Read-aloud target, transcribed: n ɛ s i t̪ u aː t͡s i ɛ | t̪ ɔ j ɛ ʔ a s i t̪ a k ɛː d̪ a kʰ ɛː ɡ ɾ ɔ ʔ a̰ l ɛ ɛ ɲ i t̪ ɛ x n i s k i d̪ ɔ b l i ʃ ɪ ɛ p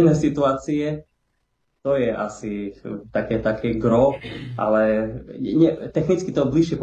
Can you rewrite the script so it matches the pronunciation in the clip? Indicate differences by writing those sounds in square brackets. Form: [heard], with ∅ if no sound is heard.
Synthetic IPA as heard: n ɛ s i t̪ u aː t͡s i ɛ | t̪ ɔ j ɛ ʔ a s i t̪ a k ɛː [t̪] a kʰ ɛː ɡ ɾ ɔ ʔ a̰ l ɛ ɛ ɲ [ɛ] t̪ ɛ x n i [t͡s] k i [t̪] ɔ b l i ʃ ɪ ɛ p